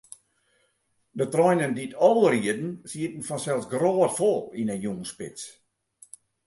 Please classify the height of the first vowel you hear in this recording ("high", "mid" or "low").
mid